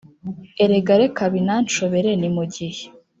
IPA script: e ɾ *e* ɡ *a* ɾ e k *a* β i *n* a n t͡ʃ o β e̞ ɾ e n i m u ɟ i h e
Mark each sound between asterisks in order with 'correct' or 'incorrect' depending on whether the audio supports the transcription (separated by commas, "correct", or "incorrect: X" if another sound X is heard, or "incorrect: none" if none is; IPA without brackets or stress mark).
correct, correct, correct, correct